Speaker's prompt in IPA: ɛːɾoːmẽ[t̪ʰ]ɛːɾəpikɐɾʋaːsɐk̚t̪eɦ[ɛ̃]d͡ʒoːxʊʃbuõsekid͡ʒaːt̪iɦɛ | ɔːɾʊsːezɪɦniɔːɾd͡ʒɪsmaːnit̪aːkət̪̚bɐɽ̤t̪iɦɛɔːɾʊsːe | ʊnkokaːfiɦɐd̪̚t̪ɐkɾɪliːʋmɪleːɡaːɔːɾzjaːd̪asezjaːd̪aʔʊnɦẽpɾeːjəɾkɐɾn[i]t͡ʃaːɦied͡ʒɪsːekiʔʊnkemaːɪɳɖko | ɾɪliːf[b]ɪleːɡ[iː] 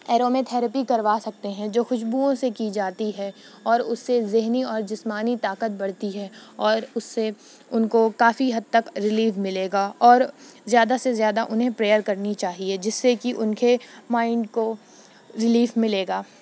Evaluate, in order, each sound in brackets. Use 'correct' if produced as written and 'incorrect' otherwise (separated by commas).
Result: correct, correct, correct, incorrect, incorrect